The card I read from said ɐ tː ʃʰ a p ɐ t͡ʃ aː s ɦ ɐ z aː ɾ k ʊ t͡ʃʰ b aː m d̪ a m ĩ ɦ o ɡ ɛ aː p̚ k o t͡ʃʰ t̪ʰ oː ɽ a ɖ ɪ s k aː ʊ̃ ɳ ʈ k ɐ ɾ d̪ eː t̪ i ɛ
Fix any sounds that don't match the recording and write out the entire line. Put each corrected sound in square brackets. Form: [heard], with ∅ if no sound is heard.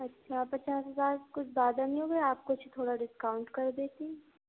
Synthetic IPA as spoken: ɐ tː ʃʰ a p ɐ t͡ʃ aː s ɦ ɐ z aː ɾ k ʊ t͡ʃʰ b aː [∅] d̪ a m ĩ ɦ o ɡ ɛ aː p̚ k o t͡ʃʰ t̪ʰ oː ɽ a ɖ ɪ s k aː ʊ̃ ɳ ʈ k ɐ ɾ d̪ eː t̪ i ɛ

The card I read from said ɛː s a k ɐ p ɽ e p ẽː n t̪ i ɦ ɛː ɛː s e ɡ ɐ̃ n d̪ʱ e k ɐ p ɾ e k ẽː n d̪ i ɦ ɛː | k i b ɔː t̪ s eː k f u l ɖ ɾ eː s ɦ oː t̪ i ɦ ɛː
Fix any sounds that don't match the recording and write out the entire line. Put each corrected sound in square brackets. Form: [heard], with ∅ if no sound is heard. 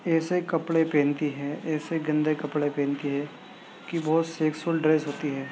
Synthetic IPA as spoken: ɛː s [e] k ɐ p ɽ e p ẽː n t̪ i ɦ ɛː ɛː s e ɡ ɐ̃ n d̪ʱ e k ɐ p [ɽ] e [p] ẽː n [t̪] i ɦ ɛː | k i b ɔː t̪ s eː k [s] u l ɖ ɾ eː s ɦ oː t̪ i ɦ ɛː

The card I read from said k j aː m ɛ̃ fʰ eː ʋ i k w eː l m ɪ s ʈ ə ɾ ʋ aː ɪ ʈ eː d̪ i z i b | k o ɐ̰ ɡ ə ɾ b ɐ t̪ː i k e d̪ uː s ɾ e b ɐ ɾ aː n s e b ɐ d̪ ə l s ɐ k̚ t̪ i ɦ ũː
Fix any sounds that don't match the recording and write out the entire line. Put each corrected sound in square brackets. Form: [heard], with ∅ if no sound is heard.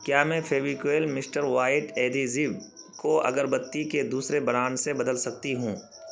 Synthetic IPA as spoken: k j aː m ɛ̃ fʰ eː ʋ i k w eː l m ɪ s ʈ ə ɾ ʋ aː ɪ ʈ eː d̪ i z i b | k o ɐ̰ ɡ ə ɾ b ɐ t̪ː i k e d̪ uː s ɾ e b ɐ ɾ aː n s e b ɐ d̪ ə l s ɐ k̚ t̪ i ɦ ũː

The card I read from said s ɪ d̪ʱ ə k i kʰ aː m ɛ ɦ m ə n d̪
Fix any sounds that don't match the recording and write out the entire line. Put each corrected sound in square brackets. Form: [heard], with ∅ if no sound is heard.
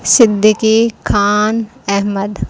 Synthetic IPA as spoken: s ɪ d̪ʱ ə k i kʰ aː [n] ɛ ɦ m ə [∅] d̪

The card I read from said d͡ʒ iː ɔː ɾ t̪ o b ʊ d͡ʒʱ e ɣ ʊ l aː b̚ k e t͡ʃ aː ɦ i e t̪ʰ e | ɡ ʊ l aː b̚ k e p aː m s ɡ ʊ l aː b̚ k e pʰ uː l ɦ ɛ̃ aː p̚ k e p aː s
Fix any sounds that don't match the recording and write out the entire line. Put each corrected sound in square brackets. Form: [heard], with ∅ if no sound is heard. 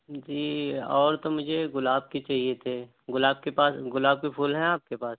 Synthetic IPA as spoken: d͡ʒ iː ɔː ɾ t̪ o [m] ʊ d͡ʒʱ e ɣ ʊ l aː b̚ k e t͡ʃ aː ɦ i e t̪ʰ e | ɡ ʊ l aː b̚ k e p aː [∅] s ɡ ʊ l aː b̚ k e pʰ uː l ɦ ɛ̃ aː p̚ k e p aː s

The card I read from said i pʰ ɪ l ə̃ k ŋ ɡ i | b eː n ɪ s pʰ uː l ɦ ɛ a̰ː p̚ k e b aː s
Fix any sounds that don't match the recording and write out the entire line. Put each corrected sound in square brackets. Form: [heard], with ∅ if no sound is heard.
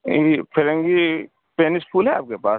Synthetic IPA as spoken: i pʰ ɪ [ɾ] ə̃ [∅] ŋ ɡ i | [p] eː n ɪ s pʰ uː l ɦ ɛ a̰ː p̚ k e [p] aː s

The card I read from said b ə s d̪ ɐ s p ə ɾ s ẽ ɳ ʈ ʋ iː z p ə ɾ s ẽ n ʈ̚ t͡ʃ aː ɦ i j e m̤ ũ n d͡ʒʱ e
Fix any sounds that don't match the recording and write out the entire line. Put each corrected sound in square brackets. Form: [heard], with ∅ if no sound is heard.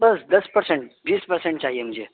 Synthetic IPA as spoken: b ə s d̪ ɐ s p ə ɾ s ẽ ɳ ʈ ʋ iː [s] p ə ɾ s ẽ [ɳ] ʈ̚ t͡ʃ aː ɦ i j e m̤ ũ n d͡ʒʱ e

